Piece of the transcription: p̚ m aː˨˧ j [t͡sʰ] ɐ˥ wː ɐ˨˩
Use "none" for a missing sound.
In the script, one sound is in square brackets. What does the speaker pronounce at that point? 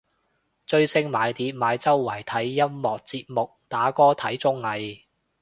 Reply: t͡s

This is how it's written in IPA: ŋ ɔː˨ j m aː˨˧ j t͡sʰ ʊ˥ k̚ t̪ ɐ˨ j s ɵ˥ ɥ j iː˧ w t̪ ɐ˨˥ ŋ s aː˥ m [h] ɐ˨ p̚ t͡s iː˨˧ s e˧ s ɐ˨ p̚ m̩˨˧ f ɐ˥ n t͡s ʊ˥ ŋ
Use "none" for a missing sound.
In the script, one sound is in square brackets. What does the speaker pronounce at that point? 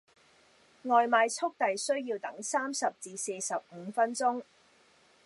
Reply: s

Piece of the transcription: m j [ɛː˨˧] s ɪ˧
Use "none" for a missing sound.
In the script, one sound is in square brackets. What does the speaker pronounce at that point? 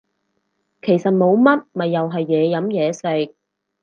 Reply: ɛː˨˧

